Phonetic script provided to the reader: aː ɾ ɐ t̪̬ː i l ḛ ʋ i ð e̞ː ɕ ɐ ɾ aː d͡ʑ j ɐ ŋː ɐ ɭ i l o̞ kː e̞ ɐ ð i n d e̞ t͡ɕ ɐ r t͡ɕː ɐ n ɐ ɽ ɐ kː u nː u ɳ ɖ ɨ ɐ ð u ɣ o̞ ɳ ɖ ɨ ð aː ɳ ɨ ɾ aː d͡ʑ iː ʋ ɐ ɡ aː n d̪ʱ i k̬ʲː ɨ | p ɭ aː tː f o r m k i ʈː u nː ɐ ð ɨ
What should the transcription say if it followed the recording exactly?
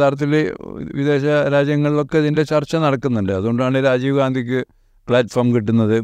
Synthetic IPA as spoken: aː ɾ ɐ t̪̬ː i l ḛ ʋ i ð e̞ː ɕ ɐ ɾ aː d͡ʑ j ɐ ŋː ɐ ɭ i l o̞ kː e̞ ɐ ð i n d e̞ t͡ɕ ɐ r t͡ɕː ɐ n ɐ ɽ ɐ kː u nː u ɳ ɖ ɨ ɐ ð u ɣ o̞ ɳ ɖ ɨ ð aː ɳ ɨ ɾ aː d͡ʑ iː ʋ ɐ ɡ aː n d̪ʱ i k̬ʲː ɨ | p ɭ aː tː f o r m k i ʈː u nː ɐ ð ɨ